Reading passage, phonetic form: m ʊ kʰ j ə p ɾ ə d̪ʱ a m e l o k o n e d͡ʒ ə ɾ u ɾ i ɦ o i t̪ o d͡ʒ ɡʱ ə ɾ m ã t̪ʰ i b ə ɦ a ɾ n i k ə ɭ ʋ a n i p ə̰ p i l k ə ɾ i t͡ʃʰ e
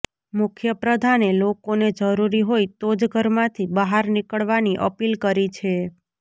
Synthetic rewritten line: m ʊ kʰ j ə p ɾ ə d̪ʱ a n e l o k o n e d͡ʒ ə ɾ u ɾ i ɦ o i t̪ o d͡ʒ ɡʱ ə ɾ m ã t̪ʰ i b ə ɦ a ɾ n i k ə ɭ ʋ a n i ʔ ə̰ p i l k ə ɾ i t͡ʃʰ e